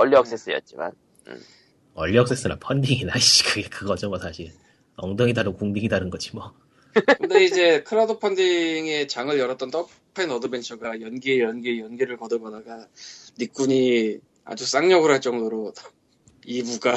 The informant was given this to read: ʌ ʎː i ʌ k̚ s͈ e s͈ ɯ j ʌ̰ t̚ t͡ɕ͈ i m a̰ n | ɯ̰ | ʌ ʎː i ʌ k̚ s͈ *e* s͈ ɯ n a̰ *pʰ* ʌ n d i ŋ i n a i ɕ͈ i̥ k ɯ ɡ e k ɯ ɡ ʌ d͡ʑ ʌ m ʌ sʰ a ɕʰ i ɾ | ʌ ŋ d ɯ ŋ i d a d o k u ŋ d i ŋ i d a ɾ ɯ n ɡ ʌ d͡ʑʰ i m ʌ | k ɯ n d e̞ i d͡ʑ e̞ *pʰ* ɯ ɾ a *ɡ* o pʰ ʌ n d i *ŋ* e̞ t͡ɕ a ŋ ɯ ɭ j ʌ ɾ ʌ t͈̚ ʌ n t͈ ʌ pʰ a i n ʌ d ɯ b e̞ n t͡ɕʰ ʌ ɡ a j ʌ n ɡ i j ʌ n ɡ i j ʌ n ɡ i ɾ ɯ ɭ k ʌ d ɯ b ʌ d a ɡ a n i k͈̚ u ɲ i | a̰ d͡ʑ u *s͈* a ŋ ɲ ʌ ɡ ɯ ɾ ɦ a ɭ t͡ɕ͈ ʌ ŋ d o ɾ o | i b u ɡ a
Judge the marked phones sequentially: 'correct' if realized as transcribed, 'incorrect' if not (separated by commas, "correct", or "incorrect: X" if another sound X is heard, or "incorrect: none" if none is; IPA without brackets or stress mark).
correct, correct, incorrect: kʰ, incorrect: d, correct, correct